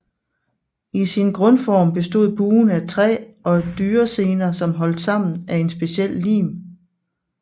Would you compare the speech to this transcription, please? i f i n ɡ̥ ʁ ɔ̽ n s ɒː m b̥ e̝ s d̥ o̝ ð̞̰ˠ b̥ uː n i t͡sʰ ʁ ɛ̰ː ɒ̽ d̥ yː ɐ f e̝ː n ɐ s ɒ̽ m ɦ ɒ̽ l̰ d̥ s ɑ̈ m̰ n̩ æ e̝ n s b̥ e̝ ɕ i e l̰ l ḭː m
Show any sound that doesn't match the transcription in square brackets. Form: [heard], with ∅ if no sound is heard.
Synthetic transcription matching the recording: i [s] i n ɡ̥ ʁ ɔ̽ n [f] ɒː m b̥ e̝ s d̥ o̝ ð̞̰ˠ b̥ uː n [æ] t͡sʰ ʁ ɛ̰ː ɒ̽ d̥ yː ɐ [s] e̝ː n ɐ s ɒ̽ m ɦ ɒ̽ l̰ d̥ s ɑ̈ m̰ n̩ æ e̝ n s b̥ e̝ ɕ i e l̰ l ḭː m

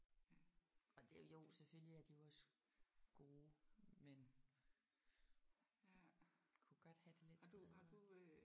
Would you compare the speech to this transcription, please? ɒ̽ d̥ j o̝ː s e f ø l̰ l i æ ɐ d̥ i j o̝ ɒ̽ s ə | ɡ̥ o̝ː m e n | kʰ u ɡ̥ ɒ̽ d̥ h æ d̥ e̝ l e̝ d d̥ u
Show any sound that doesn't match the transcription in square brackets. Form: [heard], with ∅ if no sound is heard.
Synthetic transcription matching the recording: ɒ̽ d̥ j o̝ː s e f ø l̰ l i æ ɐ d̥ i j o̝ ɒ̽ s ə | ɡ̥ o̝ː m e n | kʰ u ɡ̥ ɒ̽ d̥ h æ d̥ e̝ l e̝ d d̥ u

